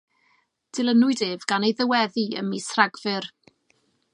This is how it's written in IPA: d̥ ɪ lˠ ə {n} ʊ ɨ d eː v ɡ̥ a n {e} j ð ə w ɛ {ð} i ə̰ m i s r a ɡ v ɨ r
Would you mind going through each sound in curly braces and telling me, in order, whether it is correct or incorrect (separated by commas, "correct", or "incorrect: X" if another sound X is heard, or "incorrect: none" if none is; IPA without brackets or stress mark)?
correct, correct, correct